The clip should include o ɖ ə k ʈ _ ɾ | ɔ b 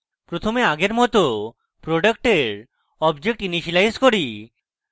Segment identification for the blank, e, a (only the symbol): e